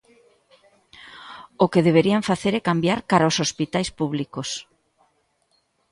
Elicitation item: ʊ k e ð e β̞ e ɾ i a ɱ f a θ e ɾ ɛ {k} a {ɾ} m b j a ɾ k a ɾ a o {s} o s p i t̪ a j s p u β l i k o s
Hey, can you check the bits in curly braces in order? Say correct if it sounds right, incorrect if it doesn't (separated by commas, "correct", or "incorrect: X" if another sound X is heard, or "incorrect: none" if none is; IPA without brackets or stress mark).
correct, incorrect: none, correct